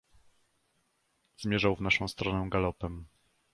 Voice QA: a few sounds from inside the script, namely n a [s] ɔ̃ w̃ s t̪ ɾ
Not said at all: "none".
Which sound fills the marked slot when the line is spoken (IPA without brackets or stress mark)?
ʂ